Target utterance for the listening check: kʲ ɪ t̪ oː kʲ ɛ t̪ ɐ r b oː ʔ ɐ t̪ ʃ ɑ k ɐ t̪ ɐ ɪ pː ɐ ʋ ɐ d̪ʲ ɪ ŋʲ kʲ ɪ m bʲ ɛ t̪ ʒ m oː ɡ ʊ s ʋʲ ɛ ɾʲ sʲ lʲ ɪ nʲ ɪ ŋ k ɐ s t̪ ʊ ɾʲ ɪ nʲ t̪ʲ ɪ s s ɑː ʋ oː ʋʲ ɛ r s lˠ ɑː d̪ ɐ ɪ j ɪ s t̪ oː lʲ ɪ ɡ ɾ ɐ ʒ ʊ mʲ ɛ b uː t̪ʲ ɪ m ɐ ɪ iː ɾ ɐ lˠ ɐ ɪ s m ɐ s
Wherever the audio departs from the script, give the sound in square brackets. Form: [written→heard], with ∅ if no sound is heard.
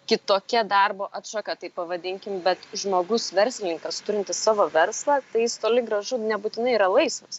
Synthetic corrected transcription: kʲ ɪ t̪ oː kʲ ɛ [t̪→d̪] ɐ r b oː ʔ ɐ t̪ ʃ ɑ k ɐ t̪ ɐ ɪ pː ɐ ʋ ɐ d̪ʲ ɪ ŋʲ kʲ ɪ m bʲ ɛ t̪ ʒ m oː ɡ ʊ s ʋʲ ɛ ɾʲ sʲ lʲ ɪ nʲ ɪ ŋ k ɐ s t̪ ʊ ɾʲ ɪ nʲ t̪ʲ ɪ s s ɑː ʋ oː ʋʲ ɛ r s lˠ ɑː [d̪→t̪] ɐ ɪ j ɪ s t̪ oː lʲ ɪ ɡ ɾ ɐ ʒ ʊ [mʲ→nʲ] ɛ b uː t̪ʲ ɪ [m→n] ɐ ɪ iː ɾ ɐ lˠ ɐ ɪ s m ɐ s

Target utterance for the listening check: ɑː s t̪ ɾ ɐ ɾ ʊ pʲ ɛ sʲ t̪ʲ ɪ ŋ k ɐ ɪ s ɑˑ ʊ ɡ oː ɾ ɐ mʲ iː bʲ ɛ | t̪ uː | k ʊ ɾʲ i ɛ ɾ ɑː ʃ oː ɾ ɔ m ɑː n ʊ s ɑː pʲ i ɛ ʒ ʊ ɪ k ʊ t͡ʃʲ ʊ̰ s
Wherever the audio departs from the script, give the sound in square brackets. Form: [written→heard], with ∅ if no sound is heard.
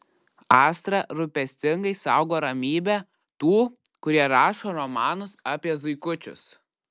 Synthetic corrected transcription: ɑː s t̪ ɾ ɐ ɾ ʊ pʲ ɛ sʲ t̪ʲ ɪ ŋ [k→ɡ] ɐ ɪ s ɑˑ ʊ ɡ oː ɾ ɐ mʲ iː bʲ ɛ | t̪ uː | k ʊ ɾʲ i ɛ ɾ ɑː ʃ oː ɾ ɔ m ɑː n ʊ s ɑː pʲ i ɛ [ʒ→z] ʊ ɪ k ʊ t͡ʃʲ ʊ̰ s

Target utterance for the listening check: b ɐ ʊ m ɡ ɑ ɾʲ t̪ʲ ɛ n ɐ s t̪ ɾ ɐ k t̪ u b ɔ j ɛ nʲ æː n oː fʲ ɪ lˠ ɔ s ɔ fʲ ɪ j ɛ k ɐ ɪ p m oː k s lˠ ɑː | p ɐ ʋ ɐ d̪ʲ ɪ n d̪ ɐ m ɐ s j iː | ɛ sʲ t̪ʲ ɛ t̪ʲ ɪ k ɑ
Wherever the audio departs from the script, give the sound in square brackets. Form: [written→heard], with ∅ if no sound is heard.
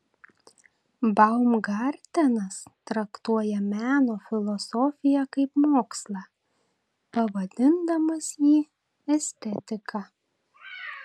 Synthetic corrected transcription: b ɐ ʊ m ɡ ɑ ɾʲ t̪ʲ ɛ n ɐ s t̪ ɾ ɐ k t̪ u [b→∅] ɔ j ɛ [nʲ→mʲ] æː n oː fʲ ɪ lˠ ɔ s ɔ fʲ ɪ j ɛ k ɐ ɪ p m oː k s lˠ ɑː | p ɐ ʋ ɐ d̪ʲ ɪ n d̪ ɐ m ɐ s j iː | ɛ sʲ t̪ʲ ɛ t̪ʲ ɪ k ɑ

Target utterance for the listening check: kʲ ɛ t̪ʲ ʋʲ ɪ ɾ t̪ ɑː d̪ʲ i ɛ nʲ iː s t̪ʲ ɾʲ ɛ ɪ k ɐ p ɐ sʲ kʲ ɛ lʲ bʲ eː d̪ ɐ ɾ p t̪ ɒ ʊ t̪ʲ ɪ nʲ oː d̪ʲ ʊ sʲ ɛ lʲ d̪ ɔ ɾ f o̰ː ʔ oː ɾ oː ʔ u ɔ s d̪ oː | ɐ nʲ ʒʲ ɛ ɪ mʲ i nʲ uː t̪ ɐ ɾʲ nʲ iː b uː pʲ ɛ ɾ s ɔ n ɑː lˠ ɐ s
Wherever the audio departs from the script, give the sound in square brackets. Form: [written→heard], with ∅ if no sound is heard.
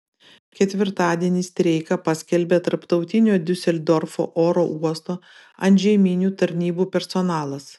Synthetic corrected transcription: kʲ ɛ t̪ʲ ʋʲ ɪ ɾ t̪ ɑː d̪ʲ i ɛ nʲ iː s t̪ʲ ɾʲ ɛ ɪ k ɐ p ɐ sʲ kʲ ɛ lʲ bʲ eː [d̪→t̪] ɐ ɾ p t̪ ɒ ʊ t̪ʲ ɪ nʲ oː d̪ʲ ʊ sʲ ɛ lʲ d̪ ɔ ɾ f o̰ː ʔ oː ɾ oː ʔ u ɔ s [d̪→t̪] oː | ɐ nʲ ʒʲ ɛ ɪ mʲ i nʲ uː t̪ ɐ ɾʲ nʲ iː b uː pʲ ɛ ɾ s ɔ n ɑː lˠ ɐ s

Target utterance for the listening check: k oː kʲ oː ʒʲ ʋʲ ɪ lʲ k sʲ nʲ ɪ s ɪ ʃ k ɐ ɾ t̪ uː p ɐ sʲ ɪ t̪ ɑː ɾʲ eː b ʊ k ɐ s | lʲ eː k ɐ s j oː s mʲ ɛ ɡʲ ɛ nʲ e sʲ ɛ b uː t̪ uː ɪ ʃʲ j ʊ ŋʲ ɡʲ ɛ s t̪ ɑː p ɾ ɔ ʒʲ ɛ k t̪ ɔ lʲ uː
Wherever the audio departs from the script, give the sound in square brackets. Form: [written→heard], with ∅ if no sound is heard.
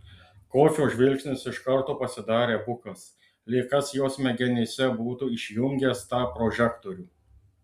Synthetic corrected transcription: k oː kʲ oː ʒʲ ʋʲ ɪ lʲ k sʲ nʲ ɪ s ɪ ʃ k ɐ ɾ t̪ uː p ɐ sʲ ɪ [t̪→d̪] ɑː ɾʲ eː b ʊ k ɐ s | lʲ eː k ɐ s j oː s mʲ ɛ ɡʲ ɛ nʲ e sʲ ɛ b uː t̪ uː ɪ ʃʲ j ʊ ŋʲ ɡʲ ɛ s t̪ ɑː p ɾ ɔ ʒʲ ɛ k t̪ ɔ [lʲ→ɾʲ] uː

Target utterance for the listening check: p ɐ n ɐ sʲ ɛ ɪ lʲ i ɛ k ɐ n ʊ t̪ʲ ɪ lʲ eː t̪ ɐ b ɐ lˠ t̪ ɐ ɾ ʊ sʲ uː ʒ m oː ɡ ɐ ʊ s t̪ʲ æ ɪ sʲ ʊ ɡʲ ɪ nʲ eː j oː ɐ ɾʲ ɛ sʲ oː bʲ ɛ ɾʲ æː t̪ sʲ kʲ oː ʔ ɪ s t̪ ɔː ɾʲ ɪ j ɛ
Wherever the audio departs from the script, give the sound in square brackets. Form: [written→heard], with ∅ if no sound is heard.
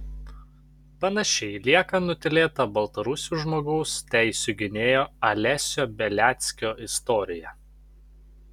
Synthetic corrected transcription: p ɐ n ɐ [sʲ→ʃʲ] ɛ ɪ lʲ i ɛ k ɐ n ʊ t̪ʲ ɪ lʲ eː t̪ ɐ b ɐ lˠ t̪ ɐ ɾ ʊ sʲ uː ʒ m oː ɡ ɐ ʊ s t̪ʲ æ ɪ sʲ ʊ ɡʲ ɪ nʲ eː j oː ɐ [ɾʲ→lʲ] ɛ sʲ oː bʲ ɛ [ɾʲ→lʲ] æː t̪ sʲ kʲ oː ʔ ɪ s t̪ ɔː ɾʲ ɪ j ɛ

